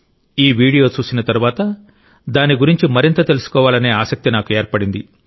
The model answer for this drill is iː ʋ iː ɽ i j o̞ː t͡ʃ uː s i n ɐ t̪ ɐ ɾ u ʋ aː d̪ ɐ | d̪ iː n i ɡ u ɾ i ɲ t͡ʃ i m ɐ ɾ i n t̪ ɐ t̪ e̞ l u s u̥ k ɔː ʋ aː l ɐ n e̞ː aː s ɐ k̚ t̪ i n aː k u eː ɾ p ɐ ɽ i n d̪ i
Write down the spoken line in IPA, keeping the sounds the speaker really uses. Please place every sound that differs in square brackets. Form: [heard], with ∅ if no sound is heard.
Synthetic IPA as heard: iː ʋ iː ɽ i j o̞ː t͡ʃ uː s i n ɐ t̪ ɐ ɾ u ʋ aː [t̪] ɐ | d̪ [aː] n i ɡ u ɾ i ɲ t͡ʃ i m ɐ ɾ i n t̪ ɐ t̪ e̞ l u s u̥ k ɔː ʋ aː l ɐ n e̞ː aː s ɐ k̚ t̪ i n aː k u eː ɾ p ɐ ɽ i n d̪ i